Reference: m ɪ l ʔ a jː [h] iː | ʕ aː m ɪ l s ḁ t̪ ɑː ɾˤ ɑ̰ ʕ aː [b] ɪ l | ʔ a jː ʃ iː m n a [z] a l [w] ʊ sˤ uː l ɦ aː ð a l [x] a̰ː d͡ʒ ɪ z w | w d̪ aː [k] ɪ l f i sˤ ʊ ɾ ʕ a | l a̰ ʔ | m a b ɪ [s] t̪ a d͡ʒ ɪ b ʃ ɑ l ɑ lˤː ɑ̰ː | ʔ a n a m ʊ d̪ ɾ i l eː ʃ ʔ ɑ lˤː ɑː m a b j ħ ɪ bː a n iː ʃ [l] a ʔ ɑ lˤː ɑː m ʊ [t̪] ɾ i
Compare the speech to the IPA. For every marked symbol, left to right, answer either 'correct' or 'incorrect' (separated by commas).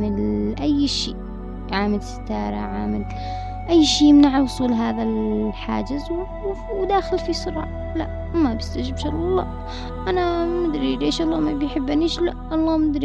incorrect, incorrect, incorrect, correct, incorrect, incorrect, correct, correct, incorrect